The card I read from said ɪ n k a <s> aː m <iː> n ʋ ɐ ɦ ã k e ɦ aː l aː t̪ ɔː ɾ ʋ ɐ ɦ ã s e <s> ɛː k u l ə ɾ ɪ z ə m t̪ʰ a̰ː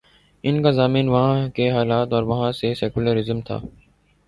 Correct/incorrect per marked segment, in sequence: incorrect, correct, correct

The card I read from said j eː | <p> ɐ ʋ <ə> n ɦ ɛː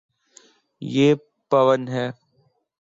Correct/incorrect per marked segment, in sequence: correct, correct

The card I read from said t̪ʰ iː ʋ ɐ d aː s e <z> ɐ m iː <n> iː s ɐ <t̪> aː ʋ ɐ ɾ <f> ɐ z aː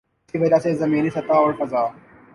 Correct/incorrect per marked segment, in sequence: correct, correct, correct, correct

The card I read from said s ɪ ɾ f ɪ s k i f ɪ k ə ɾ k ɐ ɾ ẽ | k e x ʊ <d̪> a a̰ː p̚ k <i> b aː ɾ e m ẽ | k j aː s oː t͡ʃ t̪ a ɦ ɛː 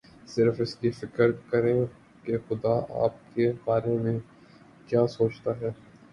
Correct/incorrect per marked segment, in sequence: correct, incorrect

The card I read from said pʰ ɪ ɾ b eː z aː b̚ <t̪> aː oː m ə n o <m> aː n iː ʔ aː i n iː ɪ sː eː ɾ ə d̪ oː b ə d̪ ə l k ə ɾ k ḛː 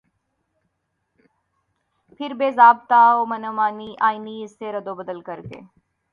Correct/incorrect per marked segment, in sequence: correct, correct

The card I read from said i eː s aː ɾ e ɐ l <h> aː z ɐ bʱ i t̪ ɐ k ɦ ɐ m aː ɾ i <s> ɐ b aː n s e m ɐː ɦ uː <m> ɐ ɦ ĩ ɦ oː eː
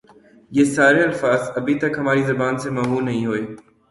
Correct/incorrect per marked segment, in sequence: incorrect, incorrect, incorrect

